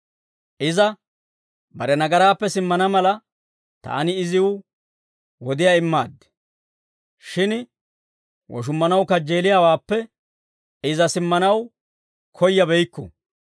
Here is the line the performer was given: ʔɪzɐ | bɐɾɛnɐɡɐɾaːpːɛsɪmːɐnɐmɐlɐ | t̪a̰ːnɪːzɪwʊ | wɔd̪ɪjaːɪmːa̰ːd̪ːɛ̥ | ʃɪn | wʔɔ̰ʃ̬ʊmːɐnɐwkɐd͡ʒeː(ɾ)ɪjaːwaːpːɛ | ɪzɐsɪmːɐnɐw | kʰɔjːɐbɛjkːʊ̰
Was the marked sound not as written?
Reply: yes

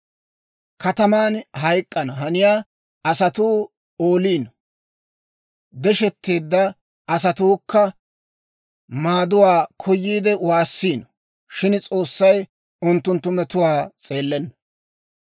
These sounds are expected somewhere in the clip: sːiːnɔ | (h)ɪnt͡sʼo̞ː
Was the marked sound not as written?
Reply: yes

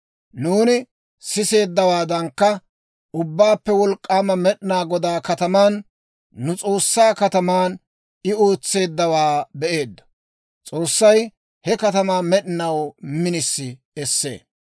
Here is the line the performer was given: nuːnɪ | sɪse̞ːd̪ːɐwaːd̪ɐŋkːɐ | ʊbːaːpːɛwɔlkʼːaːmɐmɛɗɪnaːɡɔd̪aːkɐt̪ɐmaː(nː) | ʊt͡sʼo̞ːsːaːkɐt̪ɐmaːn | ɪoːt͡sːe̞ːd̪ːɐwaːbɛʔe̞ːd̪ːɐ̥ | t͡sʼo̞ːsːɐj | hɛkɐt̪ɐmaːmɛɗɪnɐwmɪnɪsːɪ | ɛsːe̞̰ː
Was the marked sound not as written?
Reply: no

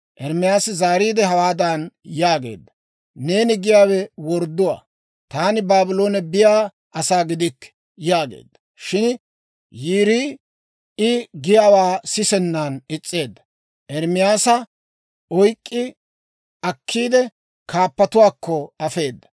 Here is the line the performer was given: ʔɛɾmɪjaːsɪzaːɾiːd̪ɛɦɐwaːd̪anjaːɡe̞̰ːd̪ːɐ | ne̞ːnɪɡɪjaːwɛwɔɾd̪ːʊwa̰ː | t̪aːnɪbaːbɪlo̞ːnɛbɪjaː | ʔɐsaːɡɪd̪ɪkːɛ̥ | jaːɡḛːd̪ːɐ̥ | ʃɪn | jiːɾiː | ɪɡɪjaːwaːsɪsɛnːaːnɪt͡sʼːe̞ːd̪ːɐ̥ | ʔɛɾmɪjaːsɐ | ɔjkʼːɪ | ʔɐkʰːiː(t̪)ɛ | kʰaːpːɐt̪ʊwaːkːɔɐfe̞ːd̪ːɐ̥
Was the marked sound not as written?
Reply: yes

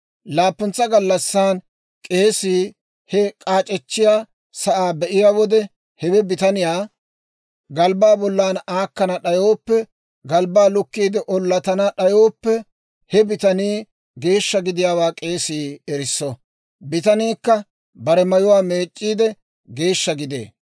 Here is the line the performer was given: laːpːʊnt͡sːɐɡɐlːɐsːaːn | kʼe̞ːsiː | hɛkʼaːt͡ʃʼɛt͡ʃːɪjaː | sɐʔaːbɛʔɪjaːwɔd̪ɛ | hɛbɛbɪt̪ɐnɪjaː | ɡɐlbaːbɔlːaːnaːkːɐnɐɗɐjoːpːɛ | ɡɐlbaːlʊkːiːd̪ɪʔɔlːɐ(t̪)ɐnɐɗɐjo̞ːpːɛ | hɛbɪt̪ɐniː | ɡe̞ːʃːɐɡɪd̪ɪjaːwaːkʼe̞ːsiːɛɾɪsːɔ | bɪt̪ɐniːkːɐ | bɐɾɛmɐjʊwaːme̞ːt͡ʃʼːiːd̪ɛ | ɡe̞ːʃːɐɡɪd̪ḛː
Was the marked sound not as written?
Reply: no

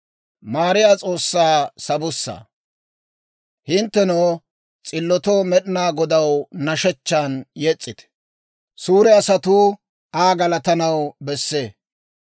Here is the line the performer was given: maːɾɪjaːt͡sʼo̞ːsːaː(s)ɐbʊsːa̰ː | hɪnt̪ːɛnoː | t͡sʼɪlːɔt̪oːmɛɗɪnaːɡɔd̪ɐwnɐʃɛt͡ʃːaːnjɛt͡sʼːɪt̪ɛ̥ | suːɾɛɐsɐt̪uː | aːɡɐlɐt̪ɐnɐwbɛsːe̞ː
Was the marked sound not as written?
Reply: no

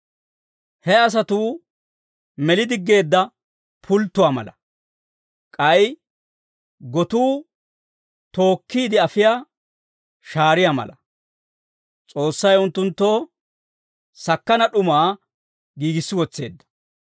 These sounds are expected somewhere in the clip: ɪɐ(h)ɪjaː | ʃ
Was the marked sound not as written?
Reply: yes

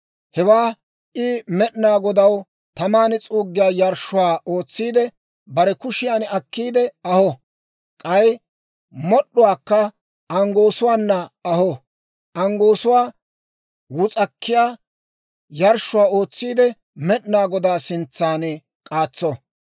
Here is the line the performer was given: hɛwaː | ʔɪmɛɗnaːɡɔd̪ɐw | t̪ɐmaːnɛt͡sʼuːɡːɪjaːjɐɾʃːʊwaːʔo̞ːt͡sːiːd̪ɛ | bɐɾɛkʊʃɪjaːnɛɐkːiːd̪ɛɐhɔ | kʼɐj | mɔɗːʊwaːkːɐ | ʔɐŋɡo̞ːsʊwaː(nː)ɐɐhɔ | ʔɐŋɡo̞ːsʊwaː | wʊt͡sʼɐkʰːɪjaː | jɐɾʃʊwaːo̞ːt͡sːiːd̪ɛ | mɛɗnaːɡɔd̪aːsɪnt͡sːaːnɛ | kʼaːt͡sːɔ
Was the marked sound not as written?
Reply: no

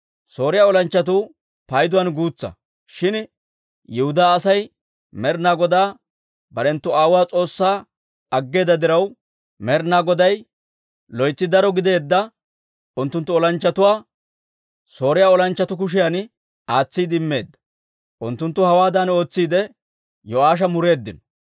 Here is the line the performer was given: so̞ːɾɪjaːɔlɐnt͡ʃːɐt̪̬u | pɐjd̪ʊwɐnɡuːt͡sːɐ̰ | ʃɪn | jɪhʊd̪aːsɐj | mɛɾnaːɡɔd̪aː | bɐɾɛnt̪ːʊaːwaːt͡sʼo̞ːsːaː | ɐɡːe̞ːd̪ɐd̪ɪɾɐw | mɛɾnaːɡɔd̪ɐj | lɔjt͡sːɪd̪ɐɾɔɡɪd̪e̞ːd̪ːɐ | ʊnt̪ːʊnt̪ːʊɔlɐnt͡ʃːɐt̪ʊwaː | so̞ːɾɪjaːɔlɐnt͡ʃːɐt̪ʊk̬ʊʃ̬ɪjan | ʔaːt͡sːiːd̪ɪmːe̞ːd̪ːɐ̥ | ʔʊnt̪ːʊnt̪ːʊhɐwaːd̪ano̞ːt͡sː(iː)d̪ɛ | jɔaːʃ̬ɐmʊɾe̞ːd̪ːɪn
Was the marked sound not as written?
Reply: no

